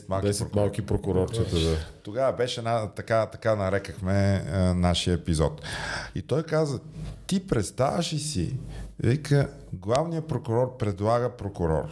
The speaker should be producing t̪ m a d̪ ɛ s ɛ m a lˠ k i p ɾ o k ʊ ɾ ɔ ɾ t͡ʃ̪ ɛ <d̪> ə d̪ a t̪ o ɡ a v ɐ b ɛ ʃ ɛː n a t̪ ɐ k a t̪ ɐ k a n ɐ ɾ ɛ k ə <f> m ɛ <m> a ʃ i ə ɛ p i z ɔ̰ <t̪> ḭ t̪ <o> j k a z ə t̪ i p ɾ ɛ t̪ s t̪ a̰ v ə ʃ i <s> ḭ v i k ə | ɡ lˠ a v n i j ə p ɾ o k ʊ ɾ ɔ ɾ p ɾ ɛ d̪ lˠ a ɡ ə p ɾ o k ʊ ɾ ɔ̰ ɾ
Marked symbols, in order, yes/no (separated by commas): no, no, no, yes, no, yes